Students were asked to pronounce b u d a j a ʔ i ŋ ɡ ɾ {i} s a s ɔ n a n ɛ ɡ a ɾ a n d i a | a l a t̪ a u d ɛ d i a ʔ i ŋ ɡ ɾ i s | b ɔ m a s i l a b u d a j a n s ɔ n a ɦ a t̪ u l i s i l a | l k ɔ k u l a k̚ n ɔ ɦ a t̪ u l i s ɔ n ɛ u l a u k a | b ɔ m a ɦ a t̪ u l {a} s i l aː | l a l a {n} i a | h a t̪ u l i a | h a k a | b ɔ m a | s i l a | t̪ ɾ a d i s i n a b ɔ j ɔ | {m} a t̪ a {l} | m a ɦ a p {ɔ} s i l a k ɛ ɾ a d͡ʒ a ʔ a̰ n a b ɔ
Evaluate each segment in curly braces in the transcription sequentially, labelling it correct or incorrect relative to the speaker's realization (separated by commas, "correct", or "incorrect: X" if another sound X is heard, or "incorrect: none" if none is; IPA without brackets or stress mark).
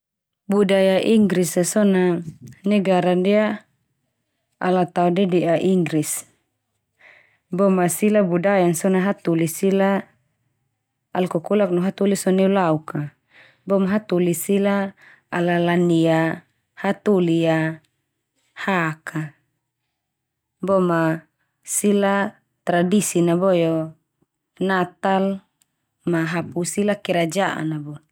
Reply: correct, incorrect: i, correct, incorrect: n, correct, incorrect: u